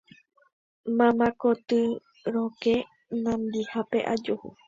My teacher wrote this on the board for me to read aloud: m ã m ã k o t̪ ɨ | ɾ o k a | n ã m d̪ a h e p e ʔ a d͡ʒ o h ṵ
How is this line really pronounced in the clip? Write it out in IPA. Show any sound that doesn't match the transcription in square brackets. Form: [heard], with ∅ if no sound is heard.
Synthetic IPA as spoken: m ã m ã k o t̪ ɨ | ɾ o k [e] | n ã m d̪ [i] h [a] p e ʔ a d͡ʒ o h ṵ